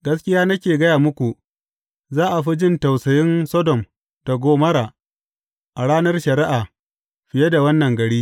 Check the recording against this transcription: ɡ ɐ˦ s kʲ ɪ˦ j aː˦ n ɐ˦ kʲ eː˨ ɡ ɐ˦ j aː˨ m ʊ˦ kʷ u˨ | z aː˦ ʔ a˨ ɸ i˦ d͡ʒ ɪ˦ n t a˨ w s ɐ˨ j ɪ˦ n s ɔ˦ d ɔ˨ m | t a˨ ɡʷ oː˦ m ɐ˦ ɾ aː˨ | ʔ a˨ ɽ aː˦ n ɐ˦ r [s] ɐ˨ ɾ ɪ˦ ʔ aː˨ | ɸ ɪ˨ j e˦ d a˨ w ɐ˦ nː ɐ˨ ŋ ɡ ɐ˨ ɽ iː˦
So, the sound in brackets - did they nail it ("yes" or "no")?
no